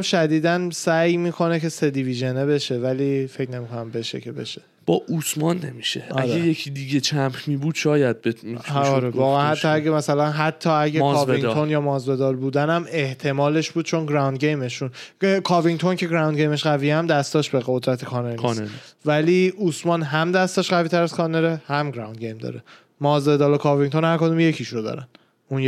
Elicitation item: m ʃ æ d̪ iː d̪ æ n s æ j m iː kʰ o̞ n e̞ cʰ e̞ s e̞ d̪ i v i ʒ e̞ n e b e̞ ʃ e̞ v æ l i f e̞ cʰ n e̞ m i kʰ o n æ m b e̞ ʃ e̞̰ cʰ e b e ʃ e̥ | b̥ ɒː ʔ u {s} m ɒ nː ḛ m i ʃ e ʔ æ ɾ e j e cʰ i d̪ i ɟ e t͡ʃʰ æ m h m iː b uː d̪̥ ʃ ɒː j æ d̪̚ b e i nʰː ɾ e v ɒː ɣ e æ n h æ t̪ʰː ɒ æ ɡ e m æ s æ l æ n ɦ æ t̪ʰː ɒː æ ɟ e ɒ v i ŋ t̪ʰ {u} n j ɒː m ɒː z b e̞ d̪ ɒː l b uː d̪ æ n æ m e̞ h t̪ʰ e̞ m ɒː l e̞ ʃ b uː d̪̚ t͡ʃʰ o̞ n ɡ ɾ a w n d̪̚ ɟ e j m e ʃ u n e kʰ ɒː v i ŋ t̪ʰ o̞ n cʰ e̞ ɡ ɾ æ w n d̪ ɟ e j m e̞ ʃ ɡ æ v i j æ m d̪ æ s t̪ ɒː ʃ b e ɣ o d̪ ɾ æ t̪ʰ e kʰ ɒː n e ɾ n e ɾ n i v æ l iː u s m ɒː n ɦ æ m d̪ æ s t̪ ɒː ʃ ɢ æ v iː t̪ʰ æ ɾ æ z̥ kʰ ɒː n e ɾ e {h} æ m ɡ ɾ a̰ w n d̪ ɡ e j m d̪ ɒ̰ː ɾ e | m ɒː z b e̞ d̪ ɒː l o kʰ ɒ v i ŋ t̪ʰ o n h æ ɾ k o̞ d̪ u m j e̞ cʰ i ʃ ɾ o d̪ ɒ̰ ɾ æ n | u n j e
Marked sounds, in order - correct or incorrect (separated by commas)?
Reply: correct, incorrect, correct